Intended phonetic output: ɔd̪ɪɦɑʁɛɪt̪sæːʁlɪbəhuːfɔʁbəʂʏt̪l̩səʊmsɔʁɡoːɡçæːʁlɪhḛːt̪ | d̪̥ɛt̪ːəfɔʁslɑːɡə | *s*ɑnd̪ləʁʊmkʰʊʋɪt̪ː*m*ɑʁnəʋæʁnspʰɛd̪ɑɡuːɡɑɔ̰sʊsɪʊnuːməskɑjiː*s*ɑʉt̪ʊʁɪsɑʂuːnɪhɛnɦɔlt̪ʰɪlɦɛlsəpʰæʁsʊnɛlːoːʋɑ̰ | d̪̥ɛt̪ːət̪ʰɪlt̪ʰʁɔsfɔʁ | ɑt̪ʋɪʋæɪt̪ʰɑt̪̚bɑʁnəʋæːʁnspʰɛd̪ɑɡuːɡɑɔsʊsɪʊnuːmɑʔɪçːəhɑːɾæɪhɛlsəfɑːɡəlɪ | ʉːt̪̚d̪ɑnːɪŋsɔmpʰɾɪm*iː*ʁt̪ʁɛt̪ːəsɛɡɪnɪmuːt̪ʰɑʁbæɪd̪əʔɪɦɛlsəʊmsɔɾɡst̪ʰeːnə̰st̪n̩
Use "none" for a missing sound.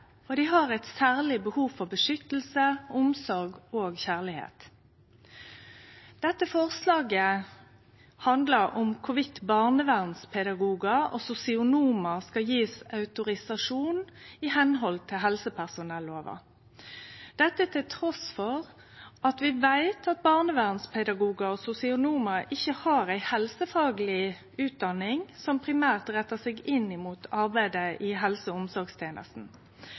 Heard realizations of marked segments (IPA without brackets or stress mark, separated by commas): h, b, s, æː